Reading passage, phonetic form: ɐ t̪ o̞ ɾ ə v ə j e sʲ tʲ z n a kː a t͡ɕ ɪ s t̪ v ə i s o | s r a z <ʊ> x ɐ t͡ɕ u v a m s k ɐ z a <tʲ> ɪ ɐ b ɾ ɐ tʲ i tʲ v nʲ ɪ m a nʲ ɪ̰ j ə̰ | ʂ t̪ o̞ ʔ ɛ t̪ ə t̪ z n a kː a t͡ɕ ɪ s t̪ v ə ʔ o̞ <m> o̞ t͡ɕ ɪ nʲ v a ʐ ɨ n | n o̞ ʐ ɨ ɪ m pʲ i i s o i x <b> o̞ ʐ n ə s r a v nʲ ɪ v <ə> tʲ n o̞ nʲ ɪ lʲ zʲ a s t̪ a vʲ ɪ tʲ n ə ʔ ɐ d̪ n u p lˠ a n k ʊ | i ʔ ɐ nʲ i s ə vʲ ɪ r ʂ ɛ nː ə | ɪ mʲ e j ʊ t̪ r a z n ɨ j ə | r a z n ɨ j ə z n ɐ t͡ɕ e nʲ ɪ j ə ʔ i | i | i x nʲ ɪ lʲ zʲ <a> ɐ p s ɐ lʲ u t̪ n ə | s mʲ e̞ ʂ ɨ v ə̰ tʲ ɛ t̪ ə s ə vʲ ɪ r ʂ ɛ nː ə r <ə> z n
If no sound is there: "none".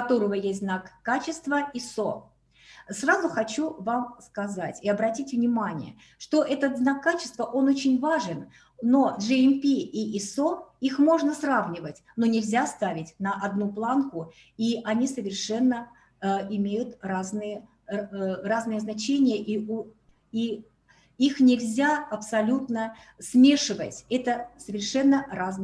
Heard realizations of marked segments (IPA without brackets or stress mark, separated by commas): ʊ, tʲ, n, m, ə, a, a